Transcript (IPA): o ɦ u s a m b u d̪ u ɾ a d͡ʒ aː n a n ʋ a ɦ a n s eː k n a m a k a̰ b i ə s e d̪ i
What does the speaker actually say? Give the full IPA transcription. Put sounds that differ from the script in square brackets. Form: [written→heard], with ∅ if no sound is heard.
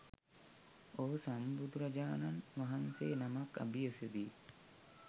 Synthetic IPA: o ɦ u s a m b u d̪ u ɾ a d͡ʒ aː n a n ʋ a ɦ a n s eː [k→∅] n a m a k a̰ b i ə s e d̪ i